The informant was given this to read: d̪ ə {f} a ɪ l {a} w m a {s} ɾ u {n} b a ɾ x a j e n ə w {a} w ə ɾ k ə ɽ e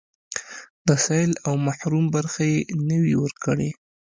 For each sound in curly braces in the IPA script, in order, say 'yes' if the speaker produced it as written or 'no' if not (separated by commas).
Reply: no, yes, no, no, no